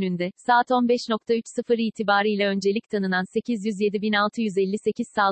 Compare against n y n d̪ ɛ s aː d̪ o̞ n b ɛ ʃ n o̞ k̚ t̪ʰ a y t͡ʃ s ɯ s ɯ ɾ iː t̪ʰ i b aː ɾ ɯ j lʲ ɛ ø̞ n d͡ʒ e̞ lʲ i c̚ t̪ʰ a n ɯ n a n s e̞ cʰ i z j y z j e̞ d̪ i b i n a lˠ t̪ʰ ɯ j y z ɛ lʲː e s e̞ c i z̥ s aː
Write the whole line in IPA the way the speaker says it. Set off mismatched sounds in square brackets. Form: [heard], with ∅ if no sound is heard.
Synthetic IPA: n y n d̪ ɛ s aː [t̪] o̞ n b ɛ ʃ n o̞ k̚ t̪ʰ a y t͡ʃ s ɯ [f] ɯ ɾ iː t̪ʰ i b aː ɾ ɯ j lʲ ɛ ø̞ n d͡ʒ e̞ lʲ i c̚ t̪ʰ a n ɯ n a n s e̞ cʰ i z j y z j e̞ d̪ i b i n a lˠ t̪ʰ ɯ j y z ɛ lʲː [i] s e̞ c i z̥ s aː